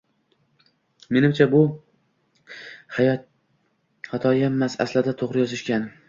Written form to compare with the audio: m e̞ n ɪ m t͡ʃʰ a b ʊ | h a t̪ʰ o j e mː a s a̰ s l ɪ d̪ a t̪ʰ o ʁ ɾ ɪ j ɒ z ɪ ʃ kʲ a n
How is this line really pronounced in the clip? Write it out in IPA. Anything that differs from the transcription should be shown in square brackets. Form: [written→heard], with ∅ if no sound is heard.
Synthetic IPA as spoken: m e̞ n ɪ m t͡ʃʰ a b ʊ | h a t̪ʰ [o→ɒ] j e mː a s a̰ s l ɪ d̪ a t̪ʰ o ʁ ɾ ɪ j ɒ z ɪ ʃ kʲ a n